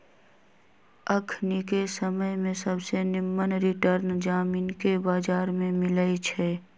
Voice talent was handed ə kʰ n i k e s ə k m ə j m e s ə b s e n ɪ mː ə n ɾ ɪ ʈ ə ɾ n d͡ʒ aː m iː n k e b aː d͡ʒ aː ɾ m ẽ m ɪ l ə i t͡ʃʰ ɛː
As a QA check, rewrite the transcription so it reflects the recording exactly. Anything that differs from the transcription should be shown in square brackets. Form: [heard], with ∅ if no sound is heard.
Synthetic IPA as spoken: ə kʰ n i k e s ə [∅] m ə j m [ẽ] s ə b s e n ɪ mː ə n ɾ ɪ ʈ ə ɾ n d͡ʒ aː m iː n k e b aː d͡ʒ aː ɾ m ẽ m ɪ l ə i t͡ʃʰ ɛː